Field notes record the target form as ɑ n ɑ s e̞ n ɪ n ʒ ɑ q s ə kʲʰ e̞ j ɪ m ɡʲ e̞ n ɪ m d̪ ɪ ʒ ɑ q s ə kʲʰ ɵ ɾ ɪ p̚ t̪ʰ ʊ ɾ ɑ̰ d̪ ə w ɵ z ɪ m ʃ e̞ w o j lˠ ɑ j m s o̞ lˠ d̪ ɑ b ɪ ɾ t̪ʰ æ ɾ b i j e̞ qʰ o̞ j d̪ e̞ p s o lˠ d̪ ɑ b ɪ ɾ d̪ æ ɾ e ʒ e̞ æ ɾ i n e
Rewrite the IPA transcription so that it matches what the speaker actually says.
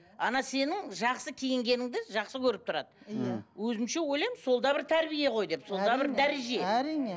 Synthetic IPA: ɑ n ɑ s e̞ n ɪ ŋ ʒ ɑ q s ə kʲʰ e̞ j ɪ ŋ ɡʲ e̞ n ɪ ŋ d̪ ɪ ʒ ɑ q s ə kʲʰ ɵ ɾ ɪ p̚ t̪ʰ ʊ ɾ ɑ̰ d̪ ə w ɵ z ɪ m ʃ e̞ w o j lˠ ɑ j m s o̞ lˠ d̪ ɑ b ɪ ɾ t̪ʰ æ ɾ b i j e̞ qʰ o̞ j d̪ e̞ p s o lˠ d̪ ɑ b ɪ ɾ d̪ æ ɾ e ʒ e̞ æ ɾ i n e